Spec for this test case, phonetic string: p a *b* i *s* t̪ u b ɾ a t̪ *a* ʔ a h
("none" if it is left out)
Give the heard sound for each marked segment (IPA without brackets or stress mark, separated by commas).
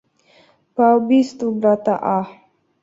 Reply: b, s, a